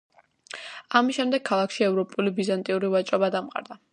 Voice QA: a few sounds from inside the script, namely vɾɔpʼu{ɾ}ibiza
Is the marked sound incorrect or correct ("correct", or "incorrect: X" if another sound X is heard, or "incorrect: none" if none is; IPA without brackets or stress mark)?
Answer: incorrect: l